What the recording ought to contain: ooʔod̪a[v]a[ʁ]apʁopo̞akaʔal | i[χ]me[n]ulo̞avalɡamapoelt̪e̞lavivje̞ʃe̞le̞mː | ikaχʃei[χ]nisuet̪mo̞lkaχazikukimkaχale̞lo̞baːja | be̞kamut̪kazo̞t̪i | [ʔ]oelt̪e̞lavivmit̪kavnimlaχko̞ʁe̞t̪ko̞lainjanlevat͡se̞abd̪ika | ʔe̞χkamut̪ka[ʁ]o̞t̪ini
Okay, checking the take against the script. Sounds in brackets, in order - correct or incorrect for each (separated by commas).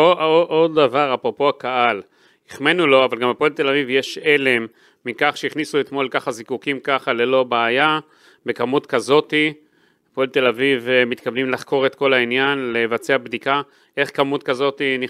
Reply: correct, correct, correct, correct, correct, incorrect, incorrect